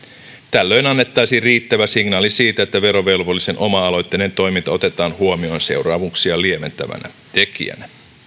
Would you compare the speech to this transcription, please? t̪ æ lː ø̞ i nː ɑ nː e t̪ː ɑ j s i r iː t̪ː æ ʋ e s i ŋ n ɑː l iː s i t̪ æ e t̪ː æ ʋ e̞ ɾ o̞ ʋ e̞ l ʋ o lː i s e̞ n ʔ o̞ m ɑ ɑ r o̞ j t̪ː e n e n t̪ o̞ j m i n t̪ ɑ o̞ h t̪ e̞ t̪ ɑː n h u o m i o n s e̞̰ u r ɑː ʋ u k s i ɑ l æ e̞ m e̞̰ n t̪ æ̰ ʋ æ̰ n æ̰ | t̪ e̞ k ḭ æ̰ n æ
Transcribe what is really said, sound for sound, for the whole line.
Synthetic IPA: t̪ æ lː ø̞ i n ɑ nː e t̪ː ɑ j s i r iː t̪ː æ ʋ æ s i ŋ n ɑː l i s iː t̪ æ e t̪ː æ ʋ e̞ ɾ o̞ ʋ e̞ l ʋ o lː i s e̞ n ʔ o̞ m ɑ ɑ l o̞ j t̪ː e n e n t̪ o̞ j m i n t̪ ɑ o̞ t̪ e̞ t̪ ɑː n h u o m i o n s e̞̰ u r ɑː ʋ u k s i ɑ l i e̞ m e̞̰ n t̪ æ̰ ʋ æ̰ n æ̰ | t̪ e̞ k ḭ æ̰ n æ

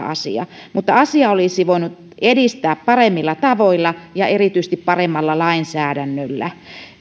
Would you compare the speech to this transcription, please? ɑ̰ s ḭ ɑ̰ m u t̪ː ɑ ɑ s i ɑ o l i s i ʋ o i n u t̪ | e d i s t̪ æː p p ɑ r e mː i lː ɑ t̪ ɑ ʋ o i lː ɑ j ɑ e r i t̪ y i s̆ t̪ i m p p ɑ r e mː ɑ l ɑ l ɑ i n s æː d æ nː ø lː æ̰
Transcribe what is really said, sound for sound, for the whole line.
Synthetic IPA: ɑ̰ s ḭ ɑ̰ m u t̪ː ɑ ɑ s i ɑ o l i s i ʋ o i n u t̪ | e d i s t̪ æː p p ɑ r e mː i lː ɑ t̪ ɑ ʋ o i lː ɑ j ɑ e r i t̪ y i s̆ t̪ i p p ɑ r e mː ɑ lː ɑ l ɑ i n s æː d æ nː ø lː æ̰

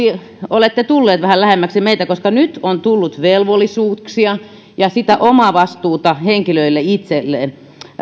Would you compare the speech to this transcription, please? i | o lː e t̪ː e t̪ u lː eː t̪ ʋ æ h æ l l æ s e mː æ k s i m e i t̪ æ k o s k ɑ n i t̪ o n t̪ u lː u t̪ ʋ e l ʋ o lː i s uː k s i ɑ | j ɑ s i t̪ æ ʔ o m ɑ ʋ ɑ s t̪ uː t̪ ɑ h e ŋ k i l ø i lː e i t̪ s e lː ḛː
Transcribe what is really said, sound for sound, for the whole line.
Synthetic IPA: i | o l e t̪ː e t̪ u lː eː t̪ ʋ æ h æ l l æ h e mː æ k s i m e i t̪ æ k o s k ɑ n y t̪ o n t̪ u lː u t̪ ʋ e l ʋ o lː i s uː k s i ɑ | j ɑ s i t̪ æ ʔ o m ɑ ʋ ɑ s t̪ uː t̪ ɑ h e ŋ k i l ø i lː e i t̪ s e lː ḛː

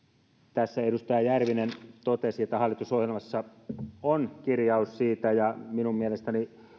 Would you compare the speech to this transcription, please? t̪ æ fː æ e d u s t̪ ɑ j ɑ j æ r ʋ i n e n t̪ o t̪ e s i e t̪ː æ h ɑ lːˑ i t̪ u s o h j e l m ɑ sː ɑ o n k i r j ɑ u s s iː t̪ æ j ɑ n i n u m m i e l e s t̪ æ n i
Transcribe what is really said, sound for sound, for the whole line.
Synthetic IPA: t̪ æ sː æ e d u s t̪ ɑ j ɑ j æ r ʋ i n e n t̪ o t̪ e s i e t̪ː æ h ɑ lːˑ i t̪ u s o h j e l m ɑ sː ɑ o n k i r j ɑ u s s iː t̪ æ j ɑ m i n u m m i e l e s t̪ æ n i

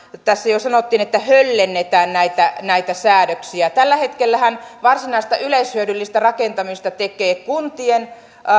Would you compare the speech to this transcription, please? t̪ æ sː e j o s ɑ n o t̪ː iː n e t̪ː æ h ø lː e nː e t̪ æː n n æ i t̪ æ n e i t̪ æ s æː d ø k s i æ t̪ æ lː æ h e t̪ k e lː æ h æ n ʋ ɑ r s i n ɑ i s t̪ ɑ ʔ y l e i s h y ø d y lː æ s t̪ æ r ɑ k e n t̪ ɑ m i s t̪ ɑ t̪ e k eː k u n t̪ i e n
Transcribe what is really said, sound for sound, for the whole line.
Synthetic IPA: t̪ æ sː æ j o s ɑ n o t̪ː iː n e t̪ː æ h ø lː e nː e t̪ æː n n æ i t̪ æ n æ i t̪ æ s æː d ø k s i æ t̪ æ lː æ h e t̪ k e lː æ h æ n ʋ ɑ r s i n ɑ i s t̪ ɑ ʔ y l e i s h y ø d y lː i s t̪ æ r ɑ k e n t̪ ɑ m i s t̪ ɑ t̪ e k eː k u n t̪ i e n

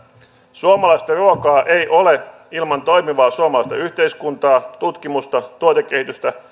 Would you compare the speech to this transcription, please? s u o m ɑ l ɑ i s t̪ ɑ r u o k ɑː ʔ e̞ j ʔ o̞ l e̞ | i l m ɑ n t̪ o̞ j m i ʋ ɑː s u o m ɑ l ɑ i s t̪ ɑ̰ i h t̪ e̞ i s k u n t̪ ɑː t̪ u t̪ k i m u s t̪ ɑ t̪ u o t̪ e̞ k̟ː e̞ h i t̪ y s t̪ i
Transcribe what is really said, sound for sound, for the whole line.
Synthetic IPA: s u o m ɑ l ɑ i s t̪ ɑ r u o k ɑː ʔ e̞ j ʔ o̞ l e̞ | i l m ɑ n t̪ o̞ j m i ʋ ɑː s u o m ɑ l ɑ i s t̪ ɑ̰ y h t̪ e̞ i s k u n t̪ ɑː t̪ u t̪ k i m u s t̪ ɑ t̪ u o t̪ e̞ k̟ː e̞ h i t̪ y s t̪ æ

